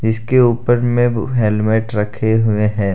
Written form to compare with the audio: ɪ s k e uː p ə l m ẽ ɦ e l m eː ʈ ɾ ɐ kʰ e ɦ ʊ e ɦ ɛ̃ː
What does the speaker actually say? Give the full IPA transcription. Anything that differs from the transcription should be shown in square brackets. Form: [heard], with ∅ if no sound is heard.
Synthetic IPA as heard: ɪ s k e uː p ə [ɾ] m ẽ ɦ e l m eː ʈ ɾ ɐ kʰ e ɦ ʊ e ɦ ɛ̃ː